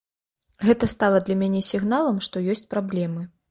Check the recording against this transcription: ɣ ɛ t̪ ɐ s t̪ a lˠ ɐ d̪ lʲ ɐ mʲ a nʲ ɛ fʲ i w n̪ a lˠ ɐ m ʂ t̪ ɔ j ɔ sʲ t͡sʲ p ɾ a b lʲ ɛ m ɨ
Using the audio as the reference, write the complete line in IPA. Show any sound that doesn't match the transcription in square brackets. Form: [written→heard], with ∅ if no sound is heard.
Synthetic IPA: ɣ ɛ t̪ ɐ s t̪ a lˠ ɐ d̪ lʲ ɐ mʲ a nʲ ɛ [fʲ→sʲ] i [w→ɣ] n̪ a lˠ ɐ m ʂ t̪ ɔ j ɔ sʲ t͡sʲ p ɾ a b lʲ ɛ m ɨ